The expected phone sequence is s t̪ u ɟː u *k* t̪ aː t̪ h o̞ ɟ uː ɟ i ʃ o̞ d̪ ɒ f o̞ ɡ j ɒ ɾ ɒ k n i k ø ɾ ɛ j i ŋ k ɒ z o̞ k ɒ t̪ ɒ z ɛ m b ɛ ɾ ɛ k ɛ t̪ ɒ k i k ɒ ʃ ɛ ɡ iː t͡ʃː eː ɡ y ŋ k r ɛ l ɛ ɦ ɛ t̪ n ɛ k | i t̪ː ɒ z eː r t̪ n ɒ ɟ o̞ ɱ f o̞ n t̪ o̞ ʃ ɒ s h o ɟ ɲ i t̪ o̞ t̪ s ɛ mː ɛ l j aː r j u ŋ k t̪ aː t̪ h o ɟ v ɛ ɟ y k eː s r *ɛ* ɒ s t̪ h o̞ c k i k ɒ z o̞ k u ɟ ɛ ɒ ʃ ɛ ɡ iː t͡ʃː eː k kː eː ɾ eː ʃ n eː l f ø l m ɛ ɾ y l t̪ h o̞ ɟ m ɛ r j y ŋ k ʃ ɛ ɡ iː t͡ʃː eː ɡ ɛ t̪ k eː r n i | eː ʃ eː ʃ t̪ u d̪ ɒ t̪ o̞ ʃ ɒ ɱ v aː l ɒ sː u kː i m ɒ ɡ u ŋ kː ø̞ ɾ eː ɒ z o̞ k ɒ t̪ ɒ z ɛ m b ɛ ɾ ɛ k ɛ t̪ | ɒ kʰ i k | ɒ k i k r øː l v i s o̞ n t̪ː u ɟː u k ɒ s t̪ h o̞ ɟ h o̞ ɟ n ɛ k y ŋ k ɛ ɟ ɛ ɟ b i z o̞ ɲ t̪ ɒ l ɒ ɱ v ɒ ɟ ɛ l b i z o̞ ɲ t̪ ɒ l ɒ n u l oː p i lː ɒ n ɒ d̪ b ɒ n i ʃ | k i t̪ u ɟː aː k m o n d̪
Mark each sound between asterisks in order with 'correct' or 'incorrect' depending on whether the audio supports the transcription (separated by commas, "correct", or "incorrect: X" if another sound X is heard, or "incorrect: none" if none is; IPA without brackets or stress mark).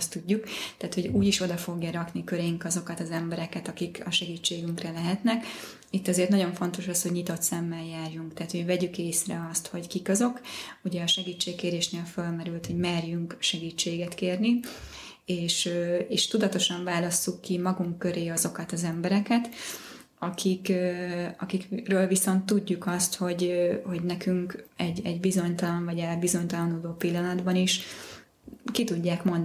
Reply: correct, correct